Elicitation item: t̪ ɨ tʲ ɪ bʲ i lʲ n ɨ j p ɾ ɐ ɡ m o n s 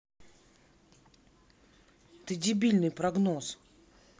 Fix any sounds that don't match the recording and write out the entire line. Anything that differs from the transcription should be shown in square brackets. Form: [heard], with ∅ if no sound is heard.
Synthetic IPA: t̪ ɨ [dʲ] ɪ bʲ i lʲ n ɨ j p ɾ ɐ ɡ [n] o [∅] s

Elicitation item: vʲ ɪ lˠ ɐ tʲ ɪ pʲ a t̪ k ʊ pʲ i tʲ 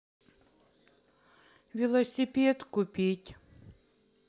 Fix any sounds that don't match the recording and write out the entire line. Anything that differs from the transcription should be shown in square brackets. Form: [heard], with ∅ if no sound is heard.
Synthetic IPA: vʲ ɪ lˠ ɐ [sʲ] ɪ pʲ [e] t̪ k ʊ pʲ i tʲ

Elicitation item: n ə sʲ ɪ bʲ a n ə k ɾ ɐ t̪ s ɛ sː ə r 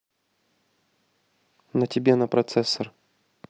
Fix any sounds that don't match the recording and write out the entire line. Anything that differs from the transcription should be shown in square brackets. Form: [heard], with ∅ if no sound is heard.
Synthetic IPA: n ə [tʲ] ɪ bʲ [e] n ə [p] ɾ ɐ t̪ s ɛ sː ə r

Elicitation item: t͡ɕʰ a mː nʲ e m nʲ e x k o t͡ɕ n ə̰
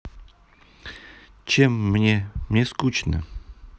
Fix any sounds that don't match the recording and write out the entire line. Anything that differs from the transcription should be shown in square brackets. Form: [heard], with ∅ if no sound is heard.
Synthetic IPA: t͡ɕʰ [e] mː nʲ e m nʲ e [s] k [u] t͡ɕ n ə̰

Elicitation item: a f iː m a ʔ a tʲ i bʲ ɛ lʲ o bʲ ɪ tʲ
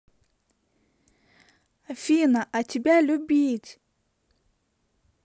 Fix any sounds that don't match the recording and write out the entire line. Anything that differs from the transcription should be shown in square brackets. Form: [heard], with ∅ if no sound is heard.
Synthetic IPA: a f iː [n] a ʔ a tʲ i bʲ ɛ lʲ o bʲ [i] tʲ

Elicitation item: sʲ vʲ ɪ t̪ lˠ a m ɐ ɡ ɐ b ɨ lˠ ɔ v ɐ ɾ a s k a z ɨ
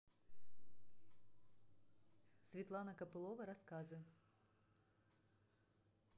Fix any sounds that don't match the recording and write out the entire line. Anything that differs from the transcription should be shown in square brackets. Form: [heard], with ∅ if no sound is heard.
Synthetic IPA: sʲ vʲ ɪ t̪ lˠ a [n] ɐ [k] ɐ [p] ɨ lˠ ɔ v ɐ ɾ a s k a z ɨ

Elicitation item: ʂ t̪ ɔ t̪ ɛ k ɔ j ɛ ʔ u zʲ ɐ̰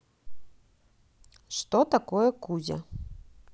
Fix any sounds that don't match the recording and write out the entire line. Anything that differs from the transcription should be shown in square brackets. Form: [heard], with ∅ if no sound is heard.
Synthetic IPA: ʂ t̪ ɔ t̪ [a] k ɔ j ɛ [k] u zʲ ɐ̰

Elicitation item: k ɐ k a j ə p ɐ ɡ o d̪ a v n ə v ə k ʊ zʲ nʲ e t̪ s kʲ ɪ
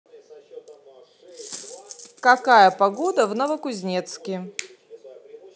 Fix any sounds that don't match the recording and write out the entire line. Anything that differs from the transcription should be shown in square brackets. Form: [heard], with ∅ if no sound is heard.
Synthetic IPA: k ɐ k a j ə p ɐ ɡ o d̪ [ə] v n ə v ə k ʊ zʲ nʲ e t̪ s kʲ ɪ

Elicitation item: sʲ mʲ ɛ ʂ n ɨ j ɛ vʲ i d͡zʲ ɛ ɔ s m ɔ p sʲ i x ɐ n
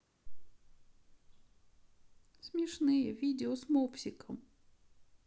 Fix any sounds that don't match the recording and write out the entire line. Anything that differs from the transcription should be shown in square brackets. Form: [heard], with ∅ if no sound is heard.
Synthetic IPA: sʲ mʲ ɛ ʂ n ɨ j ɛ vʲ i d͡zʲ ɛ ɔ s m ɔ p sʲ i [k] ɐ [m]

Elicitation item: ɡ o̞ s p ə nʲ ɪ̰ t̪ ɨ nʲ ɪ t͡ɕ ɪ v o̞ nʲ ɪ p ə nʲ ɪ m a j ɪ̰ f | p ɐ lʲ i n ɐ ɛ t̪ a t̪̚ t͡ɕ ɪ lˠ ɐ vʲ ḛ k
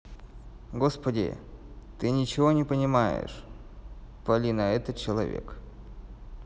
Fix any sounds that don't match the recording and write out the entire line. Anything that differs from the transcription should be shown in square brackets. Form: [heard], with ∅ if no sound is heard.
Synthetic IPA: ɡ o̞ s p ə [dʲ] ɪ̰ t̪ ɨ nʲ ɪ t͡ɕ ɪ v o̞ nʲ ɪ p ə nʲ ɪ m a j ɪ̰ [ʂ] | p ɐ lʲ i n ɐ ɛ t̪ [ə] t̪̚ t͡ɕ ɪ lˠ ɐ vʲ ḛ k

